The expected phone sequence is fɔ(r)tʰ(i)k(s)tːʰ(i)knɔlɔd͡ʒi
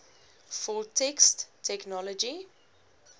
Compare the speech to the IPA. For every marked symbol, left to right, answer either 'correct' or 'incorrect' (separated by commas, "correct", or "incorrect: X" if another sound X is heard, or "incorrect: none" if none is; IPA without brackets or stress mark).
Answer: incorrect: l, incorrect: ɛ, correct, incorrect: ɛ